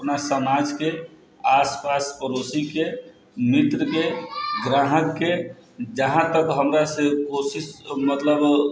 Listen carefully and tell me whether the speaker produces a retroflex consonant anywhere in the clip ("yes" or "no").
no